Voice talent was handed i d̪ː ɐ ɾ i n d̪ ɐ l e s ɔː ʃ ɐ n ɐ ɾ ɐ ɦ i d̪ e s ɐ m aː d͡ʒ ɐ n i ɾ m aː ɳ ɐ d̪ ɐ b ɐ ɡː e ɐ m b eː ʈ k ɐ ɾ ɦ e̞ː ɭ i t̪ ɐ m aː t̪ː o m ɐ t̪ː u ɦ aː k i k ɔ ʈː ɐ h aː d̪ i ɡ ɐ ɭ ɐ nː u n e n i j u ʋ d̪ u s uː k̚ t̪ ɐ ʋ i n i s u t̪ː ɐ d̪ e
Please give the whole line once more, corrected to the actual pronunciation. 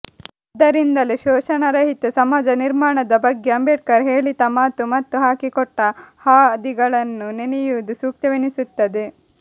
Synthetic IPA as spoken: i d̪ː ɐ ɾ i n d̪ ɐ l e ʃ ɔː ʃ ɐ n ɐ ɾ ɐ ɦ i t̪ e s ɐ m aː d͡ʒ ɐ n i ɾ m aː ɳ ɐ d̪ ɐ b ɐ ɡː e ɐ m b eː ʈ k ɐ ɾ ɦ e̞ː ɭ i t̪ ɐ m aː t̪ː u m ɐ t̪ː u ɦ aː k i k ɔ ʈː ɐ h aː d̪ i ɡ ɐ ɭ ɐ nː u n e n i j u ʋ d̪ u s uː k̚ t̪ ɐ ʋ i n i s u t̪ː ɐ d̪ e